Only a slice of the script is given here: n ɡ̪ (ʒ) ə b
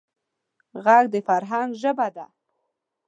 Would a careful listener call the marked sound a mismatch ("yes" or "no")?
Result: no